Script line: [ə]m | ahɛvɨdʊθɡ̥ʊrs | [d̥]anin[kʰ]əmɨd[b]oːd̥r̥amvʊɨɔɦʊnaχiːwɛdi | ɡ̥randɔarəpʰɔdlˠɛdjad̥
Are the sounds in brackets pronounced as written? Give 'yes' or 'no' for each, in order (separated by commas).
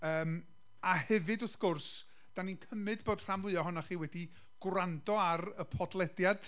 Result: no, yes, yes, yes